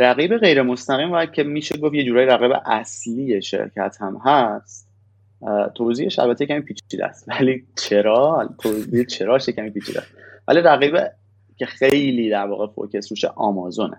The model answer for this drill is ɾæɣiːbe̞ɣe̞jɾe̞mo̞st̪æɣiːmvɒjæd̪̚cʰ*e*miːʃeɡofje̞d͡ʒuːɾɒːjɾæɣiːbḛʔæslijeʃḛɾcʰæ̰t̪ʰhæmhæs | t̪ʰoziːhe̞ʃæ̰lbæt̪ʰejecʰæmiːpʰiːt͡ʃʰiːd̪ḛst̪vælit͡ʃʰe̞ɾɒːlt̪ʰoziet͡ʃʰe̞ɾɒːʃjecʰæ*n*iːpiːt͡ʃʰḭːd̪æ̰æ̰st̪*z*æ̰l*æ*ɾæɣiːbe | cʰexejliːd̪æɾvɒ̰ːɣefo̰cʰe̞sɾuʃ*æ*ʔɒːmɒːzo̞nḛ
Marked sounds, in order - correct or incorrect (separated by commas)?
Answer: correct, incorrect, incorrect, incorrect, incorrect